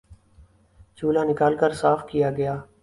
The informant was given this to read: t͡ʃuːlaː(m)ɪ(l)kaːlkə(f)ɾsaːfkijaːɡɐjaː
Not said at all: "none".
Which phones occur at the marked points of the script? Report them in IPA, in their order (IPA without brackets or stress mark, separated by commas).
n, none, none